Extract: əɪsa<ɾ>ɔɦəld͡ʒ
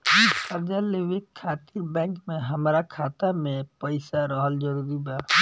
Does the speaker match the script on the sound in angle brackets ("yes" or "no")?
yes